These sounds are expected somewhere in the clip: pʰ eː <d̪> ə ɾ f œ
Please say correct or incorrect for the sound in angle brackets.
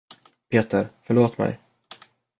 incorrect